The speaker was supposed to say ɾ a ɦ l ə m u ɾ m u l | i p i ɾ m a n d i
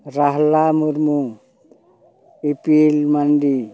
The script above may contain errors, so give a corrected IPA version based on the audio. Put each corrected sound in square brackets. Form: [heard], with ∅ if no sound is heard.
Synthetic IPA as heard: ɾ a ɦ l [a] m u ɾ m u [∅] | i p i [l] m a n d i